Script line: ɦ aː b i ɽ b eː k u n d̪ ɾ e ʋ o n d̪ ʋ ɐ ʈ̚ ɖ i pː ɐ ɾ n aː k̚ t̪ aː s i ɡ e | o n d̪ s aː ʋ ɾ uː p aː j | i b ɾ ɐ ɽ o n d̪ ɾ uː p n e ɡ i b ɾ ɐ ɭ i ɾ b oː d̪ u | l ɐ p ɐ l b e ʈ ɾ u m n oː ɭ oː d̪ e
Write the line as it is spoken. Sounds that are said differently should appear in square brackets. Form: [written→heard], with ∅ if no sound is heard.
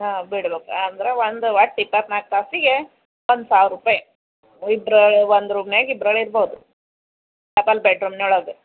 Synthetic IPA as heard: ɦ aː b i ɽ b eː k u n d̪ ɾ e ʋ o n d̪ ʋ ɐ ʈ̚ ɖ i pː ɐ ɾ n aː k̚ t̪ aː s i ɡ e | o n d̪ s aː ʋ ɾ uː p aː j | i b ɾ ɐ [ɽ→ɭ] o n d̪ ɾ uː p n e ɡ i b ɾ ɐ ɭ i ɾ b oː d̪ u | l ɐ p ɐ l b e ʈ ɾ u m n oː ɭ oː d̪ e